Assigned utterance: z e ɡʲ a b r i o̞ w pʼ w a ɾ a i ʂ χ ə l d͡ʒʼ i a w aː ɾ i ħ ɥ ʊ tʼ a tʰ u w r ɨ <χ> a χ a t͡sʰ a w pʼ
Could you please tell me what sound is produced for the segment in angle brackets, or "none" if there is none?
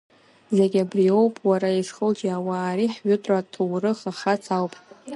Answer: χ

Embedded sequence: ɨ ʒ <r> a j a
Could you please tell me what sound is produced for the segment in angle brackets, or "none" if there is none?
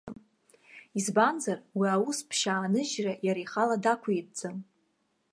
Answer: r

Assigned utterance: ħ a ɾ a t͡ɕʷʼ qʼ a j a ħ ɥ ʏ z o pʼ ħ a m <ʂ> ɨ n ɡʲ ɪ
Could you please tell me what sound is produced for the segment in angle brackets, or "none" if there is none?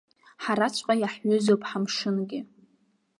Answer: ʂ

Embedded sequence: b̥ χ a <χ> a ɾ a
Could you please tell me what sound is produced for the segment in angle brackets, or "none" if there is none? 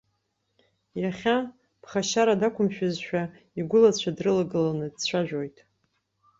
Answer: ʃ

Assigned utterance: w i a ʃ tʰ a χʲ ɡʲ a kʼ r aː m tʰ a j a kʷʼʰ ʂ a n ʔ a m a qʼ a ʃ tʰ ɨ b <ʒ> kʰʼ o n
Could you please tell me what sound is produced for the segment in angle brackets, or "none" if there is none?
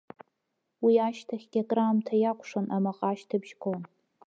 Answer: ʒ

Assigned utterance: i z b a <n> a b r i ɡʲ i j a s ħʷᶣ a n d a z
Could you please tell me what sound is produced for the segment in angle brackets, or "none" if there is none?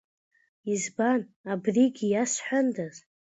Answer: n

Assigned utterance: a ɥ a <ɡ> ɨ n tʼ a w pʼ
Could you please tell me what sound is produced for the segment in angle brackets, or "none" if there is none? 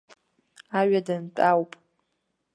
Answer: d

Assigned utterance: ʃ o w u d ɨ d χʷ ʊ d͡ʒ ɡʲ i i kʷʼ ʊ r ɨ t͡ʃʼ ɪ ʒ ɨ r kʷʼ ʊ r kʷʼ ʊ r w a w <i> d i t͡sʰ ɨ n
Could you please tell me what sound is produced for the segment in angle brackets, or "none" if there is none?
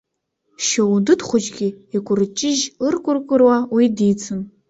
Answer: i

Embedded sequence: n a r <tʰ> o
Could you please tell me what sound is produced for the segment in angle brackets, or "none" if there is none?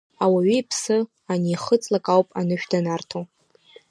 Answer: tʰ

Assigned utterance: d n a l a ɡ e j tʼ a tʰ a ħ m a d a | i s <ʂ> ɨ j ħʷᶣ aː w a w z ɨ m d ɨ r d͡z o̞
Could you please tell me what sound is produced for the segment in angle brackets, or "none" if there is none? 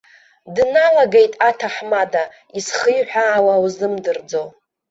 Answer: χ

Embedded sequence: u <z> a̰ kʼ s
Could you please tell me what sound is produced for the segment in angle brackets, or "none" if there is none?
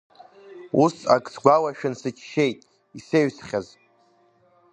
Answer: s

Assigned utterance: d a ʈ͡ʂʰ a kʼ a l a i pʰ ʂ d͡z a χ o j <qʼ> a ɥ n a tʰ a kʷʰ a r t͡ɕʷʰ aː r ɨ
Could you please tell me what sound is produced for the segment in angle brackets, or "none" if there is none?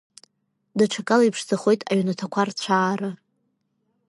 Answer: tʼ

